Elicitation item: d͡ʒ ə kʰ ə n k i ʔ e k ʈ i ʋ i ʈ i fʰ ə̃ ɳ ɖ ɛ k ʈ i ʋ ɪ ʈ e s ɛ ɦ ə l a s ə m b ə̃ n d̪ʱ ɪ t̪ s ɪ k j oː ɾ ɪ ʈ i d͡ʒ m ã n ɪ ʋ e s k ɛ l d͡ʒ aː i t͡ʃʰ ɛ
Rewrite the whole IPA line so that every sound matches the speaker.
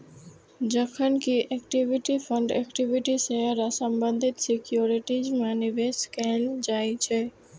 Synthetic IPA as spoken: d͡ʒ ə kʰ ə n k i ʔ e k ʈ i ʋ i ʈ i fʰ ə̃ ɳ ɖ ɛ k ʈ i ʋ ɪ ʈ i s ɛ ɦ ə ɾ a s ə m b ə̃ n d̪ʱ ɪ t̪ s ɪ k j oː ɾ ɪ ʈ i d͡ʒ m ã n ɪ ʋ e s k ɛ l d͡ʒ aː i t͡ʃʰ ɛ